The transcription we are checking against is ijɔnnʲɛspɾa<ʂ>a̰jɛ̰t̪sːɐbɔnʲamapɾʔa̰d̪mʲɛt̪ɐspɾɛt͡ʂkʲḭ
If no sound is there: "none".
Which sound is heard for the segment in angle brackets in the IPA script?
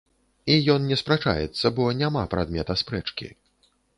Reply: t͡ʂ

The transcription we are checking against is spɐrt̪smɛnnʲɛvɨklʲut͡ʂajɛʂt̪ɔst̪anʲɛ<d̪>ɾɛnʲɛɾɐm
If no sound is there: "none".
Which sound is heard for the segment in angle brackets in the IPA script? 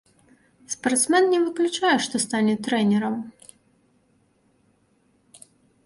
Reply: t̪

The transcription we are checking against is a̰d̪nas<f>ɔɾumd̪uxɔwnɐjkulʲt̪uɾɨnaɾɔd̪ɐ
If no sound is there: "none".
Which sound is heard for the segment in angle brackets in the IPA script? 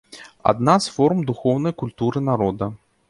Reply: f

